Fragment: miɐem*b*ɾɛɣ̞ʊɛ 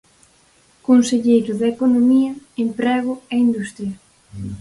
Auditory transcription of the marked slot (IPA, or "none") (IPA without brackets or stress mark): p